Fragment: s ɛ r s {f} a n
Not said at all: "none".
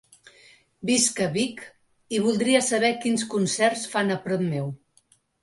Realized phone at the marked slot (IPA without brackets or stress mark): f